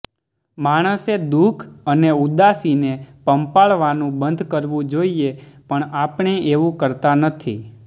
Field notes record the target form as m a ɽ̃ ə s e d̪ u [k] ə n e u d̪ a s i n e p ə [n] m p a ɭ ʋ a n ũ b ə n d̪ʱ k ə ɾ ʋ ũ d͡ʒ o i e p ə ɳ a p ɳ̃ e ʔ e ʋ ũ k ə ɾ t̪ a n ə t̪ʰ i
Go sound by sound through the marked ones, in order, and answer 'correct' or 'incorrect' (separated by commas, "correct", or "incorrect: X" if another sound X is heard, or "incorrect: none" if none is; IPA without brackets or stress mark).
incorrect: kʰ, incorrect: none